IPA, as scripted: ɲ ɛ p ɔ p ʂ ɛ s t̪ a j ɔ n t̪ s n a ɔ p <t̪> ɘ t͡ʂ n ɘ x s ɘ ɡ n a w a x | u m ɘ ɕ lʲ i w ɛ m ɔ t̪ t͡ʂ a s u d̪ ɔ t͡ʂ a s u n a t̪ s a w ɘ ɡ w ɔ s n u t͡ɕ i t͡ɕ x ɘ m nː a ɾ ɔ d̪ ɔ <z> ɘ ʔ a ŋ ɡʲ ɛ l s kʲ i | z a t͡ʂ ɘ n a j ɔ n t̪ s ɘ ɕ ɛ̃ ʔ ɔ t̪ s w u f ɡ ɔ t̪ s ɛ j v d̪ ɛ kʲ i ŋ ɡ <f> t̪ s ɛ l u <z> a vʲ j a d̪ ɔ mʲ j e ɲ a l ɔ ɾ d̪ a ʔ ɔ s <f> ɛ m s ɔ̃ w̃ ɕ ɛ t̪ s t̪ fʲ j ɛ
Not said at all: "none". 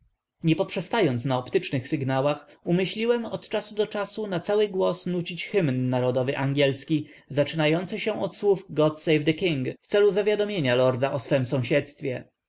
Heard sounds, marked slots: t̪, v, f, z, f

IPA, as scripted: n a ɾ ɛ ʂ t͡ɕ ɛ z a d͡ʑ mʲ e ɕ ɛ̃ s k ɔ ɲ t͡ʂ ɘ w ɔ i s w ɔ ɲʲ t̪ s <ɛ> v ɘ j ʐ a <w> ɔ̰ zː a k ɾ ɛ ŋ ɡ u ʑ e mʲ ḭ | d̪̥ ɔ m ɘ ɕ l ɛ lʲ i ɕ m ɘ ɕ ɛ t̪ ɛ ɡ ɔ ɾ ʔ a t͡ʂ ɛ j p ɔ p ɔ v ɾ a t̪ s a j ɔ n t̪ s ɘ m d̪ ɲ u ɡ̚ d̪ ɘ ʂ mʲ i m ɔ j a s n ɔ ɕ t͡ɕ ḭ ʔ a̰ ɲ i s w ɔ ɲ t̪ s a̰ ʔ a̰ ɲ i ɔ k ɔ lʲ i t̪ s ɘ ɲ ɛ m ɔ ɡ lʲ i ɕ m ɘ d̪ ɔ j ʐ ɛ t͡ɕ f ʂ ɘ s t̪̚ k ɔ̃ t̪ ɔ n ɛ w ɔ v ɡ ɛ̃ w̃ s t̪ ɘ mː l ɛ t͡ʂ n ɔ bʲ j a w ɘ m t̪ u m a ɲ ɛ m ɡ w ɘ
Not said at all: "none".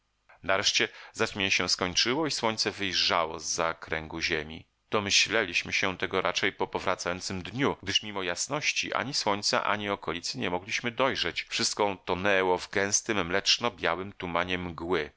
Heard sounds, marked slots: ɛ, w

